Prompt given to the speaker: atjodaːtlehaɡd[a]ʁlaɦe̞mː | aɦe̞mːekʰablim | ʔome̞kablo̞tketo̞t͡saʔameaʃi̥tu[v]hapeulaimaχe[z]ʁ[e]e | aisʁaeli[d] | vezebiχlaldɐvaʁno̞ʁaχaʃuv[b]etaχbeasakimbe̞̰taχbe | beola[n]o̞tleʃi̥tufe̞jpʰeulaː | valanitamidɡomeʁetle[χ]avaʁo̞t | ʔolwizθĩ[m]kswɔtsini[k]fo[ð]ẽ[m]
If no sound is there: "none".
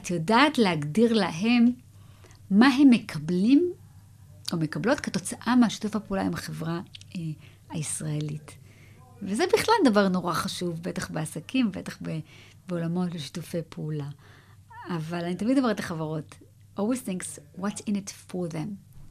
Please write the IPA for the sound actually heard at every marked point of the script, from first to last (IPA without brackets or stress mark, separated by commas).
i, f, v, a, t, b, m, χ, ŋ, t, ð, m